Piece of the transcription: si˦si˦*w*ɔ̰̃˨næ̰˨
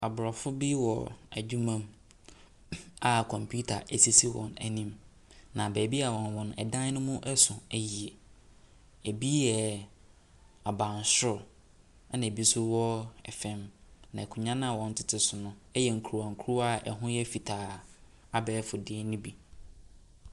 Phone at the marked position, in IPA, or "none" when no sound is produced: w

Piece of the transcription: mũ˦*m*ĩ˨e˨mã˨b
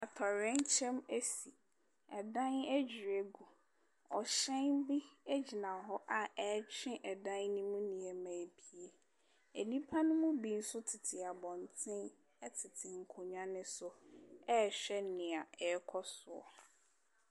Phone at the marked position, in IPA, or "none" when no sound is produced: n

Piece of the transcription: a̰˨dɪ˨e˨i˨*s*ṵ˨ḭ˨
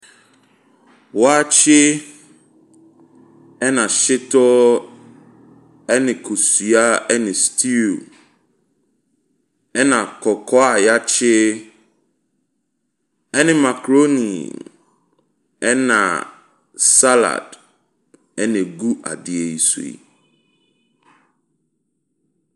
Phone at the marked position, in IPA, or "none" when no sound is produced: s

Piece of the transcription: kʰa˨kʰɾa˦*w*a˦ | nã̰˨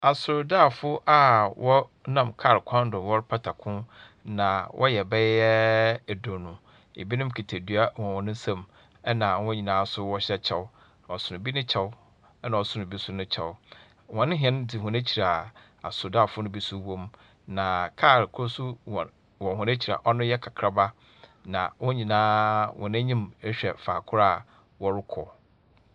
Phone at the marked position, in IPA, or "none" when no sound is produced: b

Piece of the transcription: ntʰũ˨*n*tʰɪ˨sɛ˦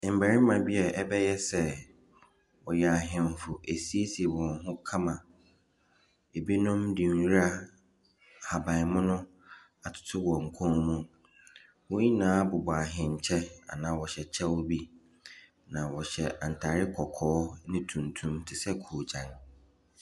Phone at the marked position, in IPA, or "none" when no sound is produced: m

